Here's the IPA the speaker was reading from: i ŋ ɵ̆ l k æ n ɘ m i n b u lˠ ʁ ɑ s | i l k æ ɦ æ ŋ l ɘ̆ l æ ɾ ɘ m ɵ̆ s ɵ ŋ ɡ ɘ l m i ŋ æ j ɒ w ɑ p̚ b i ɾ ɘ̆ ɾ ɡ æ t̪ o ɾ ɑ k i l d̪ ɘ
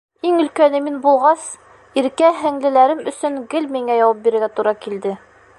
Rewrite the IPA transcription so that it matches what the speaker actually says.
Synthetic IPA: i ŋ ɵ̆ l k æ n ɘ m i n b u lˠ ʁ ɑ s | i ɾ k æ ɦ æ ŋ l ɘ̆ l æ ɾ ɘ m ɵ̆ s ɵ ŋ ɡ ɘ l m i ŋ æ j ɒ w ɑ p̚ b i ɾ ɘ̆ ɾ ɡ æ t̪ u ɾ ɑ k i l d̪ ɘ